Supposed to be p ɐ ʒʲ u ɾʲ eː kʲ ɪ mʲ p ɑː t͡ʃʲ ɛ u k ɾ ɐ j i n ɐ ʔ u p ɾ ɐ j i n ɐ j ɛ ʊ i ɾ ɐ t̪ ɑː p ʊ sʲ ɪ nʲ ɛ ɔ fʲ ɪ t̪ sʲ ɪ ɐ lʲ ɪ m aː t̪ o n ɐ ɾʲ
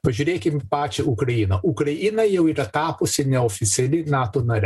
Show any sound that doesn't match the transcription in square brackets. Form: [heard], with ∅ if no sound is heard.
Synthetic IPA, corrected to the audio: p ɐ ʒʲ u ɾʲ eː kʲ ɪ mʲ p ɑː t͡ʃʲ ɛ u k ɾ ɐ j i n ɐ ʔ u [k] ɾ ɐ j i n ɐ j ɛ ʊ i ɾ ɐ t̪ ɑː p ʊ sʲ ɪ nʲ ɛ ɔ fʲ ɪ t̪ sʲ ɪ ɐ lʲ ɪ [n] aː t̪ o n ɐ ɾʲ